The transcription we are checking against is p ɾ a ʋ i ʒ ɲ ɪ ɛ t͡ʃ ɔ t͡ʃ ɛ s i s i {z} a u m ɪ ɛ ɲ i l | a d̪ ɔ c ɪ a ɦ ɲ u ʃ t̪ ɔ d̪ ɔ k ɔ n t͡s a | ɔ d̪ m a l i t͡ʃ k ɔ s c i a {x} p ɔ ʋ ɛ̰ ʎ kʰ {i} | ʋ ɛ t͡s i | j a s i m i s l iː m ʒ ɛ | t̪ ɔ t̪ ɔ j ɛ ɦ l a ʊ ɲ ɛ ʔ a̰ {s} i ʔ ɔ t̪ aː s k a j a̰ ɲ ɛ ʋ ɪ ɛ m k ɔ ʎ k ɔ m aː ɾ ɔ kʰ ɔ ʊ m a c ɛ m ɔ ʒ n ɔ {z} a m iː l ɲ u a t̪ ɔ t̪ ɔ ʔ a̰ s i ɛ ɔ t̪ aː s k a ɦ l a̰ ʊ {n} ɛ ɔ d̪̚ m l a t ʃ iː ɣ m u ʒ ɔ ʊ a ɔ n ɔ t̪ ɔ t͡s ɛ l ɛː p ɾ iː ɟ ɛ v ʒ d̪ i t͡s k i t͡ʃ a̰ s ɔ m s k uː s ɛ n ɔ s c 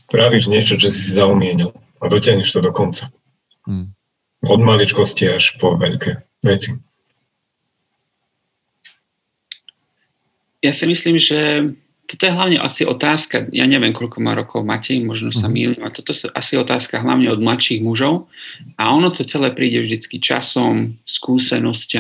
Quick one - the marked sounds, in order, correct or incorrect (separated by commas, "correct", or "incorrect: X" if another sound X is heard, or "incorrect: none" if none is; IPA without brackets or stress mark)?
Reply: correct, incorrect: ʃ, incorrect: ɛ, correct, incorrect: s, incorrect: ɲ